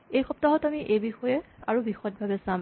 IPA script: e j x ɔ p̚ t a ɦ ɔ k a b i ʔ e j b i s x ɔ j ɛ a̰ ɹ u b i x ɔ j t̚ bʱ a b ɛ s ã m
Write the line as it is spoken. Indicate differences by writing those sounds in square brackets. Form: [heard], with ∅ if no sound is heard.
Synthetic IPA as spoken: e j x ɔ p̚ t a ɦ ɔ [t] a [m] i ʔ e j b i [∅] x ɔ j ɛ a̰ ɹ u b i x ɔ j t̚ bʱ a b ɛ s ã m

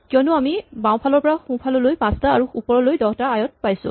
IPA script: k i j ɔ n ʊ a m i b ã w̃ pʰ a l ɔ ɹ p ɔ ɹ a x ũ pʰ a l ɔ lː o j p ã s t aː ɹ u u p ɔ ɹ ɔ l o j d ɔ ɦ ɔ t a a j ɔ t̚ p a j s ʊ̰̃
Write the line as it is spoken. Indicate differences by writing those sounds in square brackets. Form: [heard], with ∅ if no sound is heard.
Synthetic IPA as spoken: k i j ɔ n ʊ a m i b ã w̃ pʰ a l ɔ ɹ p ɔ ɹ a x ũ pʰ a l ɔ [l] o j p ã s t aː ɹ u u p ɔ ɹ ɔ l o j d ɔ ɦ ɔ t a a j ɔ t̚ p a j s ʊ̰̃

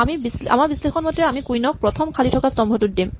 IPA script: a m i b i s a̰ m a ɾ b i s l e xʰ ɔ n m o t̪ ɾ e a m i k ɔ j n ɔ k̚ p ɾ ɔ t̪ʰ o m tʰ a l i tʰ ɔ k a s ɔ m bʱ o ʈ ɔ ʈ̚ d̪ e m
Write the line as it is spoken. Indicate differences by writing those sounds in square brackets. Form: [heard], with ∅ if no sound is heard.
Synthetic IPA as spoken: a m i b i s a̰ m a ɾ b i s l e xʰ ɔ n m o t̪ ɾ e a m i k [u] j n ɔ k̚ p ɾ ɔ t̪ʰ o m [kʰ] a l i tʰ ɔ k a s ɔ m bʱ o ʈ [u] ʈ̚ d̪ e m

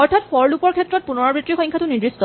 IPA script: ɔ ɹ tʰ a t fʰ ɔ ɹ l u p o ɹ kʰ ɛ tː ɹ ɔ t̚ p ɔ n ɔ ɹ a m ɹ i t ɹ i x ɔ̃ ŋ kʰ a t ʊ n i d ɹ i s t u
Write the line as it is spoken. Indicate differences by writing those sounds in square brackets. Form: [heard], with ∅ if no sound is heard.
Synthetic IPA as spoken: ɔ ɹ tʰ a t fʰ ɔ ɹ l u p [ɔ] ɹ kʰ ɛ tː ɹ ɔ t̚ p [u] n ɔ ɹ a [b] ɹ i t ɹ i x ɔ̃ ŋ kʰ a t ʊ n i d ɹ i s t [ɔ]

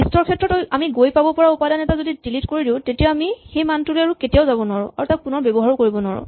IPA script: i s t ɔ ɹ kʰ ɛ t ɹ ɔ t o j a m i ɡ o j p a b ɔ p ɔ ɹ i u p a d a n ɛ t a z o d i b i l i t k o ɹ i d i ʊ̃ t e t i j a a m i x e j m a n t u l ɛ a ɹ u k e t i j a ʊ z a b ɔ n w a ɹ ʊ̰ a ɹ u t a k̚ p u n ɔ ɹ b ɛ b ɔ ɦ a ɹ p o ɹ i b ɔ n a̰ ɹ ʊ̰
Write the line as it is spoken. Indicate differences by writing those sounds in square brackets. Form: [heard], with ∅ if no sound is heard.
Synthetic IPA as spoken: i s t ɔ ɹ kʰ ɛ t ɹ ɔ t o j a m i ɡ o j p a b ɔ p ɔ ɹ [a] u p a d a n ɛ t a z o d i [d] i l i t k o ɹ i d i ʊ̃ t e t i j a a m i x e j m a n t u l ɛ a ɹ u k e t i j a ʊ z a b ɔ n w a ɹ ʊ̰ a ɹ u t a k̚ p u n ɔ ɹ b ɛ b ɔ ɦ a ɹ [k] o ɹ i b ɔ n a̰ ɹ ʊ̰

